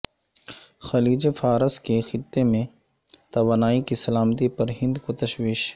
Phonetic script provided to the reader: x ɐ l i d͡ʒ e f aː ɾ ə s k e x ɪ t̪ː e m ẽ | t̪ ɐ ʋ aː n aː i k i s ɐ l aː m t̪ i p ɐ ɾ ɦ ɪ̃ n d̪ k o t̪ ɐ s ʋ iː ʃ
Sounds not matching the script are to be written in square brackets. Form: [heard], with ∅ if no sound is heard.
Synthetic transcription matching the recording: x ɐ l [iː] d͡ʒ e f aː ɾ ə s k e x ɪ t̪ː e m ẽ | t̪ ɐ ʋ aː n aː i k i s ɐ l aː m t̪ i p ɐ ɾ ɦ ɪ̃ n d̪ k o t̪ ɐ [ʃ] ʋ iː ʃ